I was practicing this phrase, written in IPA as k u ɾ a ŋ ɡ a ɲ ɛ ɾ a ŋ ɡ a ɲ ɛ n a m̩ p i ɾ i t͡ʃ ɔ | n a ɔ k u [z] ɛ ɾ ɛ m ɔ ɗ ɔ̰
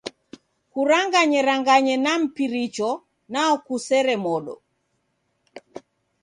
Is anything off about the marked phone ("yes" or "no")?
yes